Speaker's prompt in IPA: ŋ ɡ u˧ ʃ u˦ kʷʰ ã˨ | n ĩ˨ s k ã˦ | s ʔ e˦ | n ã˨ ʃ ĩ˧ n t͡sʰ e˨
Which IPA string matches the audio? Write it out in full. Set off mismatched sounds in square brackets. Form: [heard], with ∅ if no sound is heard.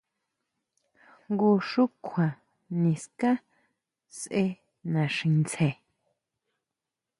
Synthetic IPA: ŋ ɡ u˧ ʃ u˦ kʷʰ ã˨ | n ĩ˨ s k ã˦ | s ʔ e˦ | n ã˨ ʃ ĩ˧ n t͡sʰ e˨